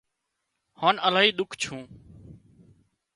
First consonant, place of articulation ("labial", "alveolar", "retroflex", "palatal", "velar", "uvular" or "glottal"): glottal